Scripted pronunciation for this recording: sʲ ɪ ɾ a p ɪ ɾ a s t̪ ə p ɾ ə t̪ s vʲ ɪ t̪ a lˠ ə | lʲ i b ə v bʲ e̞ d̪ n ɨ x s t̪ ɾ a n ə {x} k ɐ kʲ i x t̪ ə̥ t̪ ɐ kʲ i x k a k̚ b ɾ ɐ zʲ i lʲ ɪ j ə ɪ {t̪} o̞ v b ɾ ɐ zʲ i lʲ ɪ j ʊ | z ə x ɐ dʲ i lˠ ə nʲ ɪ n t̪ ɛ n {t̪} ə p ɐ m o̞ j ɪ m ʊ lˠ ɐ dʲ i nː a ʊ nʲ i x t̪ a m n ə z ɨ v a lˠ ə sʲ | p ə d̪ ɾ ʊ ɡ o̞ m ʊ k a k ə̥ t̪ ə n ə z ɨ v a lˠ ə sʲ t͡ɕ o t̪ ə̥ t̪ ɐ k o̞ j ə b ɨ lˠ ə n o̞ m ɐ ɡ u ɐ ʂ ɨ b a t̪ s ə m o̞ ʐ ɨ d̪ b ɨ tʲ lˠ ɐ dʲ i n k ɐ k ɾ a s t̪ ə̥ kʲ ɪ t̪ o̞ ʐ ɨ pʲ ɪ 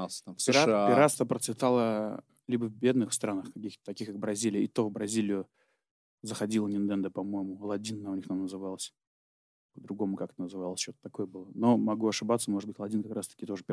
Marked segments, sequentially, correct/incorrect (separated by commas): correct, correct, incorrect